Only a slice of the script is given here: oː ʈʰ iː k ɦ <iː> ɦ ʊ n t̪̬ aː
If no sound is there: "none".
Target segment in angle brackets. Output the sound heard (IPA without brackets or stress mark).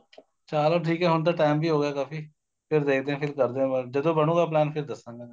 ɛː